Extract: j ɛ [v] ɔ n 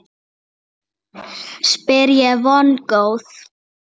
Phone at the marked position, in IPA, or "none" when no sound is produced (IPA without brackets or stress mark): v